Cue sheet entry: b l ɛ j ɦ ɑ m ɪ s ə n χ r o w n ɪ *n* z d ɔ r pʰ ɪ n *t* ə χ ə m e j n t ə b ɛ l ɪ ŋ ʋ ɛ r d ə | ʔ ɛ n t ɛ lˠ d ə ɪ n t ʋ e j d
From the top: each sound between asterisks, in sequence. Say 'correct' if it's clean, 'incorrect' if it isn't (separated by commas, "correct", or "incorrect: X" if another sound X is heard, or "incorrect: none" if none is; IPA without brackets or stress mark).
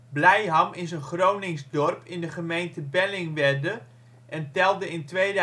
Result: incorrect: ŋ, incorrect: d